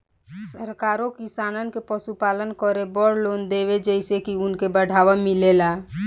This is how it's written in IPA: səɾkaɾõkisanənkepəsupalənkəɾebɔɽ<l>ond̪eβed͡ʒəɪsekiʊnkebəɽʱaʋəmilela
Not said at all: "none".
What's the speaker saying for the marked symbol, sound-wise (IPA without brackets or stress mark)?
l